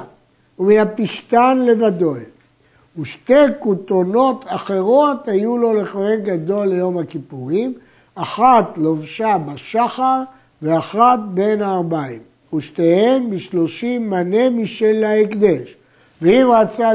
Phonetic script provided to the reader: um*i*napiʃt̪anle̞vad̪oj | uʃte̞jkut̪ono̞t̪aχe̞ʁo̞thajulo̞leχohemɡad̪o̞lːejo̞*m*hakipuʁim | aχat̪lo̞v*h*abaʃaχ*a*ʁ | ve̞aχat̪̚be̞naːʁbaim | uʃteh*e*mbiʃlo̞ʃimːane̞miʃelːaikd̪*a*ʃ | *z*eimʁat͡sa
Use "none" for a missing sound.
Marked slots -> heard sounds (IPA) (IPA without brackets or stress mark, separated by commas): i, m, ʃ, a, e, e, v